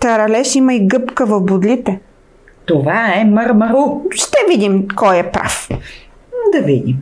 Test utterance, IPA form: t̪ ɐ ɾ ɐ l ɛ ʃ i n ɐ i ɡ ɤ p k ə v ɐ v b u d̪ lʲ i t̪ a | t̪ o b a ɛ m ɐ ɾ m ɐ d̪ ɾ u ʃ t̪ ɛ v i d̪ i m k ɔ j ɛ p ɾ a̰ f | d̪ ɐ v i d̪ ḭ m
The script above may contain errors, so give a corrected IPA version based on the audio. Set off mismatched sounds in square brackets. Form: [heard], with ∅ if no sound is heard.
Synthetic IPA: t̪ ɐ ɾ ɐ l ɛ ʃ i [m] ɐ i ɡ ɤ p k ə v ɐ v b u d̪ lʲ i t̪ [ɛ] | t̪ o [v] a ɛ m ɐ ɾ m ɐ [∅] ɾ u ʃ t̪ ɛ v i d̪ i m k ɔ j ɛ p ɾ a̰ f | d̪ ɐ v i d̪ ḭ m